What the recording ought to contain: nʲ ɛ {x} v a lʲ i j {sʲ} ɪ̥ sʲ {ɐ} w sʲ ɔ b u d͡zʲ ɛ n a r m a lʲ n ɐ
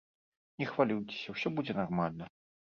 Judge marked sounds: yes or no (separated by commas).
yes, no, yes